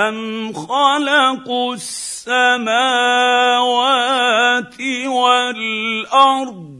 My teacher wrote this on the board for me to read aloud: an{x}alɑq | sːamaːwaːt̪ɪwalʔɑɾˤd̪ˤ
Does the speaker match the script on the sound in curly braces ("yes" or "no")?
yes